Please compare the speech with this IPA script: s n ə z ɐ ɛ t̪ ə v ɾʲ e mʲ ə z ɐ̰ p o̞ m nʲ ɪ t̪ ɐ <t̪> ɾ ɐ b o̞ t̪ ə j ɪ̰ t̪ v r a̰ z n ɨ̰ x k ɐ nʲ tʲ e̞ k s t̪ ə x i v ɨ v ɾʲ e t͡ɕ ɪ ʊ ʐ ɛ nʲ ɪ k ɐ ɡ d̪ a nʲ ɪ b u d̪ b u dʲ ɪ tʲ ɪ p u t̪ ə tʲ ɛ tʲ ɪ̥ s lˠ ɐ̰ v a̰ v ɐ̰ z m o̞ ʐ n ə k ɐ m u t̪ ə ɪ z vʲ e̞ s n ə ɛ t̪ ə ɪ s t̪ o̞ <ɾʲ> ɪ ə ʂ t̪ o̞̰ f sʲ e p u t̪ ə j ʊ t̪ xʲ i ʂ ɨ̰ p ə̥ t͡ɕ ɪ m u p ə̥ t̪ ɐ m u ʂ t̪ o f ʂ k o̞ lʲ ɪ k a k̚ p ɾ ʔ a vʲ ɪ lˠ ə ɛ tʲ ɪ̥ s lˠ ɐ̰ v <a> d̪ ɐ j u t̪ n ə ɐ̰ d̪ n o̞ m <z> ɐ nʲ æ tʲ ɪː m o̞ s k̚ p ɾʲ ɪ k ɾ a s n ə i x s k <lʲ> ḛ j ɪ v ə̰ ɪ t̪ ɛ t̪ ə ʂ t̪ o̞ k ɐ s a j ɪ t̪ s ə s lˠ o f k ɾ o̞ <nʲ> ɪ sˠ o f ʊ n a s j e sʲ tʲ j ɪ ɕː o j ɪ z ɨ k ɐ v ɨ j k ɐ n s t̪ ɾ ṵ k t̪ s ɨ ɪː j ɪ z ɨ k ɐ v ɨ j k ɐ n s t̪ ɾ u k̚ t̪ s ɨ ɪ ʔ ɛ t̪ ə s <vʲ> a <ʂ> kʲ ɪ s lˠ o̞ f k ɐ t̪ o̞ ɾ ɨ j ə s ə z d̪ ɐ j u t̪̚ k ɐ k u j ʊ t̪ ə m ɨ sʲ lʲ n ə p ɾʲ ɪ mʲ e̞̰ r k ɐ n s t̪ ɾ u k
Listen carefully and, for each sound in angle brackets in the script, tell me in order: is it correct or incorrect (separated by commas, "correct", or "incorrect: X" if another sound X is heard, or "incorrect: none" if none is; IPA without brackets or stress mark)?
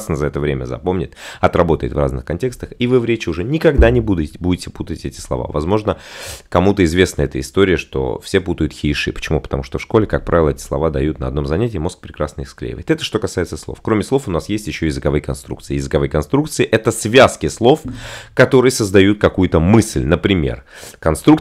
correct, correct, correct, correct, correct, incorrect: mʲ, correct, incorrect: s